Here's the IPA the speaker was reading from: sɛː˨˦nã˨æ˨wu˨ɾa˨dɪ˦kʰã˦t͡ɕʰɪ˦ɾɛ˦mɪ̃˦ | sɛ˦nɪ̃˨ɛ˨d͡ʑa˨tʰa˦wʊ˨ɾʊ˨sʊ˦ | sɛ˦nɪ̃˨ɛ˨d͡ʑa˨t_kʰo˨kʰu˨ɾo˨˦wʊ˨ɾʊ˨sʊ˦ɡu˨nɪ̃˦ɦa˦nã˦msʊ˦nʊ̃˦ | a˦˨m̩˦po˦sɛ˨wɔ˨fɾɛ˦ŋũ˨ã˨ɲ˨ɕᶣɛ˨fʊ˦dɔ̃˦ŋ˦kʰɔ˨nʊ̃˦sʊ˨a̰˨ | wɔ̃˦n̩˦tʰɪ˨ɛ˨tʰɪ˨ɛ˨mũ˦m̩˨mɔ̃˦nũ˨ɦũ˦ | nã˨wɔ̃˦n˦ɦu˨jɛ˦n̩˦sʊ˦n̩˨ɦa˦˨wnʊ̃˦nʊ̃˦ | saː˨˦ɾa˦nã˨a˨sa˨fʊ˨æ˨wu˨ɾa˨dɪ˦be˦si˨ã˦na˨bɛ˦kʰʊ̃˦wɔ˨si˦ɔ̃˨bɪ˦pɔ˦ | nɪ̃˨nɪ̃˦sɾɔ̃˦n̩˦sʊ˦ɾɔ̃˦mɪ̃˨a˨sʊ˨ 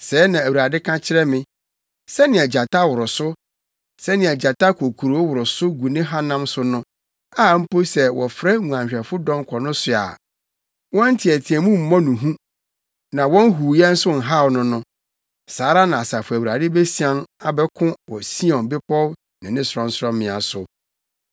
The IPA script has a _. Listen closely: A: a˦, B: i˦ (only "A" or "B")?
A